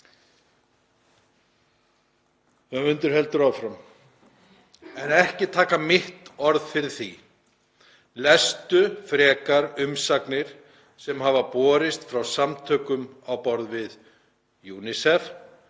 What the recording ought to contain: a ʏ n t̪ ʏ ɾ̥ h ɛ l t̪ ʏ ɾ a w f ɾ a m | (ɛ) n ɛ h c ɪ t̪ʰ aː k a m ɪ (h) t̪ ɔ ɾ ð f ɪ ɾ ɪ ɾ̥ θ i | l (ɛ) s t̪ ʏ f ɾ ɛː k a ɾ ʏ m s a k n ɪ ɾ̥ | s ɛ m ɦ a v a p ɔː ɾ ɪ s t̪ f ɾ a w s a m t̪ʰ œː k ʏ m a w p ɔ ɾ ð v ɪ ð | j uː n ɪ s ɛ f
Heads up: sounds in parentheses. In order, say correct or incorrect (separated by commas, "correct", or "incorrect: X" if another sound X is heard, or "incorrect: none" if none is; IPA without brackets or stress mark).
correct, correct, correct